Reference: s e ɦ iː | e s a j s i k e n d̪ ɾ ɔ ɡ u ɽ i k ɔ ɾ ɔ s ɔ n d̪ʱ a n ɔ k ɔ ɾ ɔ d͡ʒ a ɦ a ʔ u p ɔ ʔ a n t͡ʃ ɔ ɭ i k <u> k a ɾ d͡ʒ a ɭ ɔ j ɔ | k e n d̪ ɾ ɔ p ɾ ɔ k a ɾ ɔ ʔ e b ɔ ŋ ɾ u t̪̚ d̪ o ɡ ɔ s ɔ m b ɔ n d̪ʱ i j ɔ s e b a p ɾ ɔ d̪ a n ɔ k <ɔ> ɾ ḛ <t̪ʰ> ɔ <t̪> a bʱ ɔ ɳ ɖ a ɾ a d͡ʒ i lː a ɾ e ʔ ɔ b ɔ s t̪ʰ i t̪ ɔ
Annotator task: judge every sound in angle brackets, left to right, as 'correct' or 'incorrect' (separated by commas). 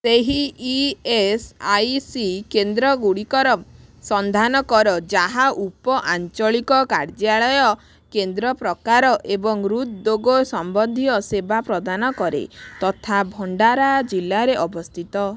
incorrect, correct, incorrect, incorrect